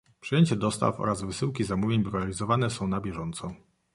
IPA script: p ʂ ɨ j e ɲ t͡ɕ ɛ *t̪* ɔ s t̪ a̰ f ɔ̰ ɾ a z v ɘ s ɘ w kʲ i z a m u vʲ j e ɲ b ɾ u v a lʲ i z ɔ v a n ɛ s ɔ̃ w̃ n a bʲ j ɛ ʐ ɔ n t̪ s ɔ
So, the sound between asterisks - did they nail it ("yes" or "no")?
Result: no